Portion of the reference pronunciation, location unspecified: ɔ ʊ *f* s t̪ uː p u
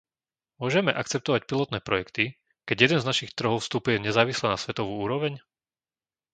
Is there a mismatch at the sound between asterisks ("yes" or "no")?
no